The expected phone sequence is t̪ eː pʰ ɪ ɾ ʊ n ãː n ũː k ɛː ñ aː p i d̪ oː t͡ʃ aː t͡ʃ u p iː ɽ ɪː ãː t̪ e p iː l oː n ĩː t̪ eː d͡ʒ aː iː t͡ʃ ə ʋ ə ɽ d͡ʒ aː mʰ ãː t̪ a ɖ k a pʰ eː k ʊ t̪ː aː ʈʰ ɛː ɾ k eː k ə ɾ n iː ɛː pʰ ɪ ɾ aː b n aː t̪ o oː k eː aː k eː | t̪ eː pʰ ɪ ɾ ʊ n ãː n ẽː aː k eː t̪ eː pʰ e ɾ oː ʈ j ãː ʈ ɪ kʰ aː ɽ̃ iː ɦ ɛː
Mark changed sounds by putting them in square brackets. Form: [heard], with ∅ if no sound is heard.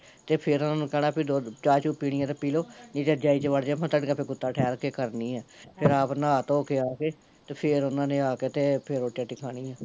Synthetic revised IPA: t̪ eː pʰ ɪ ɾ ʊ n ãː n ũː k ɛː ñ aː p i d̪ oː t͡ʃ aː t͡ʃ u p iː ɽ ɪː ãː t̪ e p iː l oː n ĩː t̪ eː d͡ʒ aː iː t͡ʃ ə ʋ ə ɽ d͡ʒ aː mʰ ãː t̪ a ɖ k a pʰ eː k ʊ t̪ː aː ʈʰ ɛː ɾ k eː k ə ɾ n iː ɛː pʰ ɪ ɾ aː [p] n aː t̪ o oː k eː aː k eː | t̪ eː pʰ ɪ ɾ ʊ n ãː n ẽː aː k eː t̪ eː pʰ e ɾ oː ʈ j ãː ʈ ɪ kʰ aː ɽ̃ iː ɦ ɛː